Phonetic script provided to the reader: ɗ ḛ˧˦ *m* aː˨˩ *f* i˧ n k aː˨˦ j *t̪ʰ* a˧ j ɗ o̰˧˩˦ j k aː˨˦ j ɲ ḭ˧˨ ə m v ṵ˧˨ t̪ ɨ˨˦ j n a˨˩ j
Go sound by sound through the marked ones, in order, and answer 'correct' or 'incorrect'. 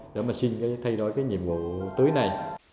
correct, incorrect: s, correct

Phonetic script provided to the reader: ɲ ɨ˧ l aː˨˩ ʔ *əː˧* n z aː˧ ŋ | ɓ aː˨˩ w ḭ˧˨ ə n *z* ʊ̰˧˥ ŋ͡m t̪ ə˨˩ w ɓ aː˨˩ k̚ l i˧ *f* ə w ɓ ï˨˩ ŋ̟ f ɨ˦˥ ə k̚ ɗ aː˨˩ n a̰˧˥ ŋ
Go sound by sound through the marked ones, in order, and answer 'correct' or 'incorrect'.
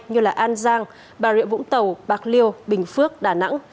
incorrect: aː˧, incorrect: v, incorrect: none

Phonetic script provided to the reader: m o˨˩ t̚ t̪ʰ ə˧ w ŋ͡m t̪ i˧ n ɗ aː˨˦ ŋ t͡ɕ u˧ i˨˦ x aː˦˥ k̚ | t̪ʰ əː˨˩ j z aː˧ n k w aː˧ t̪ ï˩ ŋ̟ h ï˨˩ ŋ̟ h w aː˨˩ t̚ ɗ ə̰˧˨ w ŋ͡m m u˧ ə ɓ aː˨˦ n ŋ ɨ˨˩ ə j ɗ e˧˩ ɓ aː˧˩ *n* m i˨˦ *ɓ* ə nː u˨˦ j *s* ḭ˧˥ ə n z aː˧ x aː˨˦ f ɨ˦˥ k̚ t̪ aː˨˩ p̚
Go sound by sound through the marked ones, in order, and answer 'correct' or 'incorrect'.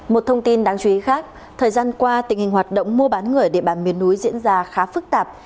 correct, incorrect: none, incorrect: z

